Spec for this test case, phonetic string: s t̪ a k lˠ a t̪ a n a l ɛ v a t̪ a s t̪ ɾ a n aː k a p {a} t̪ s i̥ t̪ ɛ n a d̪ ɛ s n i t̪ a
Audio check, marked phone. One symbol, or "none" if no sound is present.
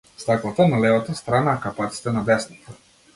a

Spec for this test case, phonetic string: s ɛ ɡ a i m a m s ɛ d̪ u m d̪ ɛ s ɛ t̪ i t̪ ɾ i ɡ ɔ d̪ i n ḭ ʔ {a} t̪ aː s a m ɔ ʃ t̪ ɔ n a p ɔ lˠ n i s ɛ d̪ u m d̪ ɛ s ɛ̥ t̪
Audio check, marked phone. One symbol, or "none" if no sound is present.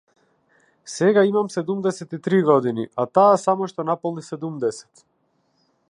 a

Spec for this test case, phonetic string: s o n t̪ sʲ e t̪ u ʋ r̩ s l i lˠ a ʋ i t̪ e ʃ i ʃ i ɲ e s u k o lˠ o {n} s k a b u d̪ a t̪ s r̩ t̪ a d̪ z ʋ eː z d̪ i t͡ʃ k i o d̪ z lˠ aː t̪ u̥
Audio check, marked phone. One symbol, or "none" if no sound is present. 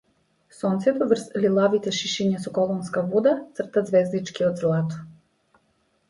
n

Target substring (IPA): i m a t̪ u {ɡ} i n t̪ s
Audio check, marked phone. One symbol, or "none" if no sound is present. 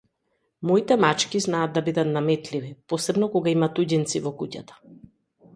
ɟ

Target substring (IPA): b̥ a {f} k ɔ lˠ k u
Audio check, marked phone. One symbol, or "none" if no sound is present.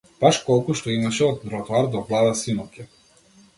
ʃ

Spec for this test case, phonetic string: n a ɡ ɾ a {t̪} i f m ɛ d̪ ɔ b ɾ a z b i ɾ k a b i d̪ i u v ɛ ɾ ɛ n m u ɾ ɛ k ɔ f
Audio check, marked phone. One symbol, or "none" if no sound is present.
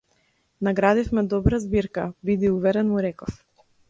d̪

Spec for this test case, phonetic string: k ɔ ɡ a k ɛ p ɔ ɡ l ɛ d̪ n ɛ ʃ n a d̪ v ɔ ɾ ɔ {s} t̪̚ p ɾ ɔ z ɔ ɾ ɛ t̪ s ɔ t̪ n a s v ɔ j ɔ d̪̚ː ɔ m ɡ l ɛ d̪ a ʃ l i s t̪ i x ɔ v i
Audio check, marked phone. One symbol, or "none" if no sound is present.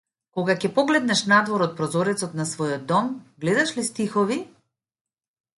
none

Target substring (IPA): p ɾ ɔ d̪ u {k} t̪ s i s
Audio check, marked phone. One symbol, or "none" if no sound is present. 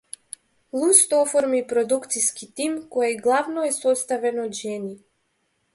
k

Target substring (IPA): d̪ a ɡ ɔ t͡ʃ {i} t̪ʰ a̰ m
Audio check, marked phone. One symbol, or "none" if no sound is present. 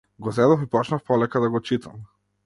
i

